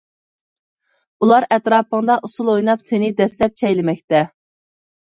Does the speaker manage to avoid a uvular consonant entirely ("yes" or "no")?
yes